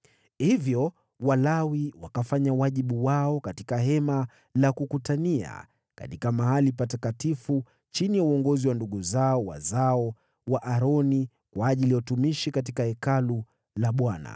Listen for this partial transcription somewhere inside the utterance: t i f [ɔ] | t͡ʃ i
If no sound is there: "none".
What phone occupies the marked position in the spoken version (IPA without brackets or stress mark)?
u